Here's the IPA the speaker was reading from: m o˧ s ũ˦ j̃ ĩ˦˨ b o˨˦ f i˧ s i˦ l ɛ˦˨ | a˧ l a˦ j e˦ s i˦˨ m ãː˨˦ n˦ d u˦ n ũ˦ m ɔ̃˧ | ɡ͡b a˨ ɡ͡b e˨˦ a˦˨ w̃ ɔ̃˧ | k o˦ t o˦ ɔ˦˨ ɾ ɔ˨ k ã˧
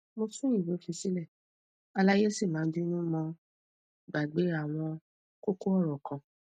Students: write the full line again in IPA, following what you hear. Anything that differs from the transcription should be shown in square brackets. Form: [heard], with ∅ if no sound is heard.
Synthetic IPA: m o˧ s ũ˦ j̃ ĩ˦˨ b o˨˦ f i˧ s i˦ l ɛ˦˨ | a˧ l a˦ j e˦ s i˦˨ m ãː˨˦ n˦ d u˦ n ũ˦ m ɔ̃˧ | ɡ͡b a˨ ɡ͡b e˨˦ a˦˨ w̃ ɔ̃˧ | k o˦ [k] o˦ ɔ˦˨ ɾ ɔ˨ k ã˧